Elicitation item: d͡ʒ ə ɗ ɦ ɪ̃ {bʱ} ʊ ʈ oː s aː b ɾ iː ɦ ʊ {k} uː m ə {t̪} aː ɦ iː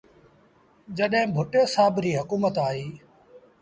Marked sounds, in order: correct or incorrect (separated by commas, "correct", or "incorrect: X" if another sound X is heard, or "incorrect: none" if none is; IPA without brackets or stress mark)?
correct, correct, correct